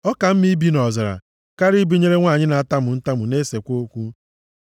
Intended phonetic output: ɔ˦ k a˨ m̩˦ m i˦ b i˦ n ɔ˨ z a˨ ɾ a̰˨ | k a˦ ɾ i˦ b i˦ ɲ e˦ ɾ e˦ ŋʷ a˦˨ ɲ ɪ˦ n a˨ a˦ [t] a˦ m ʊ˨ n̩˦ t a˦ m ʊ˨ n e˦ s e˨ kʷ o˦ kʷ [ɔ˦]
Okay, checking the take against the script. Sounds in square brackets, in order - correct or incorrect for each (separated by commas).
correct, incorrect